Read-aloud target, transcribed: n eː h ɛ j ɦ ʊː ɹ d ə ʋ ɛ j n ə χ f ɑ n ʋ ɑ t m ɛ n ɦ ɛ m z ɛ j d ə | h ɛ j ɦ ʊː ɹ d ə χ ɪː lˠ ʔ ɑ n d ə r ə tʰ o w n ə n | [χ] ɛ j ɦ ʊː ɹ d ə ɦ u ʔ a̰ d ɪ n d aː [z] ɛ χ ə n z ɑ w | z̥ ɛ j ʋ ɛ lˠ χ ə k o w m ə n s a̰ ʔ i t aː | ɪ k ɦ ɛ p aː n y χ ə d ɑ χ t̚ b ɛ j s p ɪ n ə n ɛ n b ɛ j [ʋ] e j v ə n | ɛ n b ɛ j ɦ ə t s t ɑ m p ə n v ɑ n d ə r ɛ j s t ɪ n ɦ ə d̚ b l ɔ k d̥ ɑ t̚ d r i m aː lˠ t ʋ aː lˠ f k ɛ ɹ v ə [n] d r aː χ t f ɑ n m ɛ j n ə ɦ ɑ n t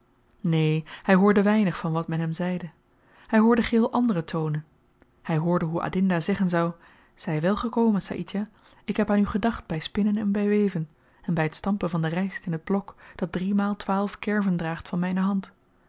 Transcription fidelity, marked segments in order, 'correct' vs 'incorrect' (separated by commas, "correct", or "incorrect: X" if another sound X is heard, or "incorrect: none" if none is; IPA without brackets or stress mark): incorrect: h, correct, correct, correct